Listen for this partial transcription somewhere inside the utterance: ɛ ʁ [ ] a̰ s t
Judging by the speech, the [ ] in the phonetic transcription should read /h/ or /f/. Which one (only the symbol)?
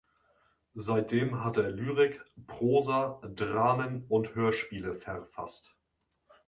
f